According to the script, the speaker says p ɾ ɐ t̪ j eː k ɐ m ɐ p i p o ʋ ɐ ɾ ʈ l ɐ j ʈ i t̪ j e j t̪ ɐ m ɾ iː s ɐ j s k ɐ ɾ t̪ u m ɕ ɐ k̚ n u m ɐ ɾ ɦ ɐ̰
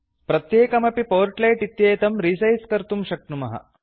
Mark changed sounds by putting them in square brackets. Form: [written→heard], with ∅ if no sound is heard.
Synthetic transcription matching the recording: p ɾ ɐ t̪ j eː k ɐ m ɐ p i p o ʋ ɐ ɾ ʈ l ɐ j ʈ i t̪ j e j t̪ ɐ m ɾ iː s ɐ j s k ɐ ɾ t̪ u m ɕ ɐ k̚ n u m ɐ [ɾ→∅] ɦ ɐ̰